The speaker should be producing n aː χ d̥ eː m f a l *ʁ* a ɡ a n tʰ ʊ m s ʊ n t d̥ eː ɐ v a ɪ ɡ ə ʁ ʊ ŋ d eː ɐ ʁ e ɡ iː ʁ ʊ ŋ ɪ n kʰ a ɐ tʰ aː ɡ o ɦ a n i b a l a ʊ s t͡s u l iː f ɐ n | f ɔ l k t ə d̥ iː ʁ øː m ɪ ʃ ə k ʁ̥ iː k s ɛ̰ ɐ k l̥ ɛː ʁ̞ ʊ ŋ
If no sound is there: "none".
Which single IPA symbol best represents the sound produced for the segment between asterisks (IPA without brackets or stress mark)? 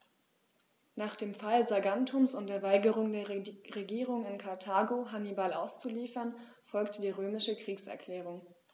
z